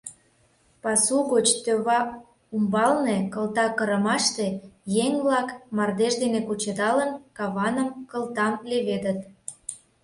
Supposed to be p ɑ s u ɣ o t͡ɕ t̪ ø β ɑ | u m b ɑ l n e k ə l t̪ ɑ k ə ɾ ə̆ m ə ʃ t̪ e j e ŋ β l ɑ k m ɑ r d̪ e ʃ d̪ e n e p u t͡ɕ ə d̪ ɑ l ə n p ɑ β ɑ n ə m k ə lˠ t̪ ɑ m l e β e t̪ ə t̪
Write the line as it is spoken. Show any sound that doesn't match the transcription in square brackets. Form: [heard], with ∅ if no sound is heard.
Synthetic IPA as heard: p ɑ s u ɣ o t͡ɕ t̪ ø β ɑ | u m b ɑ l n e k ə l t̪ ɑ k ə ɾ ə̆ m [ɑ] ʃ t̪ e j e ŋ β l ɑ k m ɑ r d̪ e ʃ d̪ e n e [k] u t͡ɕ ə d̪ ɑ l ə n [k] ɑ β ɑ n ə m k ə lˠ t̪ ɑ m l e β e [d̪] ə t̪